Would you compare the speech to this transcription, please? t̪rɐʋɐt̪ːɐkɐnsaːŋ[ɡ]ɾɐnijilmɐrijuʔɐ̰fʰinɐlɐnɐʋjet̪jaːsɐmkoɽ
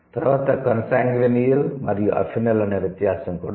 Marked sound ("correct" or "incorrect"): correct